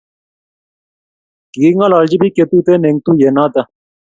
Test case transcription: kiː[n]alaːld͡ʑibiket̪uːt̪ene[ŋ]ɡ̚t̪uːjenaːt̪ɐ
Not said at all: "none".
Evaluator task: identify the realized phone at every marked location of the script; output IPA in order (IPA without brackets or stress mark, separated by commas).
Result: ŋ, ŋ